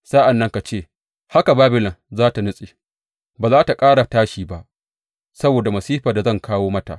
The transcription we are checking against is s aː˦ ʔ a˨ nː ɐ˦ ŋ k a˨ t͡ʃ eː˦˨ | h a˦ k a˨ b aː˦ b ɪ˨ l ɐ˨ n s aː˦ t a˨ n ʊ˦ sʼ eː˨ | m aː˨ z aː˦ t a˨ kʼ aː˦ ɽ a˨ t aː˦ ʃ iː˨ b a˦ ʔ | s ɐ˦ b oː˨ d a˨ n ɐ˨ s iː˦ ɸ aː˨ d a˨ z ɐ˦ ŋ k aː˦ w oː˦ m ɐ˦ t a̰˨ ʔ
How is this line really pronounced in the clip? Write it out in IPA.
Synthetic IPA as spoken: s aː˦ ʔ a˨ nː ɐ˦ ŋ k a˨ t͡ʃ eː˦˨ | h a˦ k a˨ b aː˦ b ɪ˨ l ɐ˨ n z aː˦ t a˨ n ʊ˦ sʼ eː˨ | b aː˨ z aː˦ t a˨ kʼ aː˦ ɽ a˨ t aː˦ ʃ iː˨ b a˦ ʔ | s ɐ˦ b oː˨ d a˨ m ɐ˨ s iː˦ ɸ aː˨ d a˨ z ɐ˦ ŋ k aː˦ w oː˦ m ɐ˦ t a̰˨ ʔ